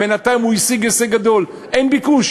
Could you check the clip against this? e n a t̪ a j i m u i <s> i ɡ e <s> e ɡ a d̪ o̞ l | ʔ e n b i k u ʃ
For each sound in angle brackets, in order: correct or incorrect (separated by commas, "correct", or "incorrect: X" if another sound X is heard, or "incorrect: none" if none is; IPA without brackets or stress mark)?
correct, correct